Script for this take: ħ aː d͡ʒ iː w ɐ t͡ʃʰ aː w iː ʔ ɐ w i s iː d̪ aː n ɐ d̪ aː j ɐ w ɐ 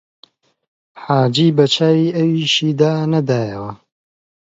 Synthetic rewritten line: ħ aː d͡ʒ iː b ɐ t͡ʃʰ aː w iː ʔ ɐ w i ʃ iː d̪ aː n ɐ d̪ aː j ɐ w ɐ